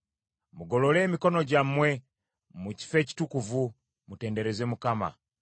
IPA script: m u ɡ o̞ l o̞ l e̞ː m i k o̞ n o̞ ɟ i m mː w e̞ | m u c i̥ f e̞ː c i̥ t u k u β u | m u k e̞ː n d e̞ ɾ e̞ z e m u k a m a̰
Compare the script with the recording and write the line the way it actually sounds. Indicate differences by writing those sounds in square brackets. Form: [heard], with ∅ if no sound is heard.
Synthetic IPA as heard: m u ɡ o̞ l o̞ l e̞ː m i k o̞ n o̞ ɟ [a] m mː w e̞ | m u c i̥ f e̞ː c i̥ t u k u [v] u | m u [t] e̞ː n d e̞ ɾ e̞ z e m u k a m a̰